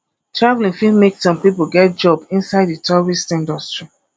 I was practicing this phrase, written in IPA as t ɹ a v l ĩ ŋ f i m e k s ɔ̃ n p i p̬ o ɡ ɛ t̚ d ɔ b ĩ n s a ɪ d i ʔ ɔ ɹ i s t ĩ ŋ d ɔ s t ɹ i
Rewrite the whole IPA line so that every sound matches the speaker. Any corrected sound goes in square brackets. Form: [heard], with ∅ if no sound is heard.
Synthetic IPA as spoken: t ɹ a v l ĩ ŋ f i m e k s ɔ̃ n p i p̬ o ɡ ɛ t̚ [d͡ʒ] ɔ b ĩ n s a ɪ d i [t] ɔ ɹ i s t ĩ [n] d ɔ s t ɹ i